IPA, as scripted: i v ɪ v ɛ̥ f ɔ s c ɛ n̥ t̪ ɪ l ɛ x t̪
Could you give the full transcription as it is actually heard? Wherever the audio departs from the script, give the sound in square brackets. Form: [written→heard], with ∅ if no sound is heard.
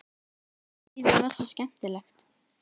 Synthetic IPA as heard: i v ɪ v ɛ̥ [f→s] ɔ s c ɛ [n̥→m̥] t̪ ɪ l ɛ x t̪